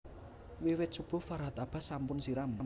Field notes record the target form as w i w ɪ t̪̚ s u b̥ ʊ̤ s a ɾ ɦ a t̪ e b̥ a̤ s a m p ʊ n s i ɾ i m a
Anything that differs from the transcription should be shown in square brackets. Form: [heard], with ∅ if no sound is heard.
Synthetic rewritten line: w i w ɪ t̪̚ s u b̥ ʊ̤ [f] a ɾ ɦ a t̪ [a] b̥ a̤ s a m p ʊ n s i ɾ [a] m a